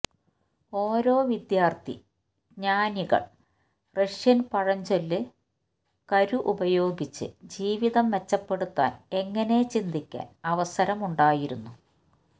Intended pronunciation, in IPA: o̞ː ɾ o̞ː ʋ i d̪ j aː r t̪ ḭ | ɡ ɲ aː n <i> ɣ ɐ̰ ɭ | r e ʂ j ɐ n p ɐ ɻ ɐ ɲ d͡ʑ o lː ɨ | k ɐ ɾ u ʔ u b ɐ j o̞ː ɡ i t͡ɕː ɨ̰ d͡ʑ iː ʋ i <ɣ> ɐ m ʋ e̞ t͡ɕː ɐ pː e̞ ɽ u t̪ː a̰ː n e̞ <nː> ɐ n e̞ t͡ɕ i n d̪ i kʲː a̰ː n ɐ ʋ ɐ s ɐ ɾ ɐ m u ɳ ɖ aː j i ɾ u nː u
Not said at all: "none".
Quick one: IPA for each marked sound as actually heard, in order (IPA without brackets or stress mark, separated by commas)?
i, ð, ŋː